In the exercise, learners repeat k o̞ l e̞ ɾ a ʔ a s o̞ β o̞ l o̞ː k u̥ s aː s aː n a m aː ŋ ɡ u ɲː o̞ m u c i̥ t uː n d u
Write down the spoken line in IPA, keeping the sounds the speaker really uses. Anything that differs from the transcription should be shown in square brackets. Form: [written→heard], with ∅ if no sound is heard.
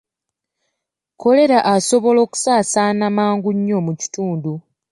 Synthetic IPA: k o̞ l e̞ ɾ a ʔ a s o̞ β o̞ l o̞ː k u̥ s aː s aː n a m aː ŋ ɡ u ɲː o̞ m u c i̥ t uː n d u